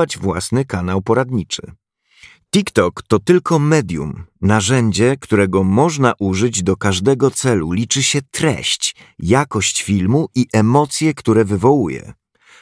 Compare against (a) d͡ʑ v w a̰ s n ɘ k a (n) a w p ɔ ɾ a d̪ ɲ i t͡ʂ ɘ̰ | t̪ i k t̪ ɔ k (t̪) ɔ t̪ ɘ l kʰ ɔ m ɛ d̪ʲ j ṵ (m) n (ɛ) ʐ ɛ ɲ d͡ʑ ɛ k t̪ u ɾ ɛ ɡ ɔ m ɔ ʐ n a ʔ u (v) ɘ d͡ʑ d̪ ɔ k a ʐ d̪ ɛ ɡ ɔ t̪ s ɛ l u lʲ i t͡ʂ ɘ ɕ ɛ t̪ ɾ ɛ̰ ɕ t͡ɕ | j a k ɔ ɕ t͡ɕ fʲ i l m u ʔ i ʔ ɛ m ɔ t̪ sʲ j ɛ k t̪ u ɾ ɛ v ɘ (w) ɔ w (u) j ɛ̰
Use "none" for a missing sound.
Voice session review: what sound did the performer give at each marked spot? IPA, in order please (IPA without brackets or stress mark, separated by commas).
a, n, t̪, m, a, ʐ, v, u